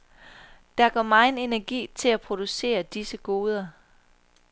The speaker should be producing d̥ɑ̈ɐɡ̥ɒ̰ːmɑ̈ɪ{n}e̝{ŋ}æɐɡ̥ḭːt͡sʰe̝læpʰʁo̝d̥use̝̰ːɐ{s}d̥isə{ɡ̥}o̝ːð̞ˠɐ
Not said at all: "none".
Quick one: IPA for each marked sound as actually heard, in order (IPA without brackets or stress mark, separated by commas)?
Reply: n, n, none, ɡ̥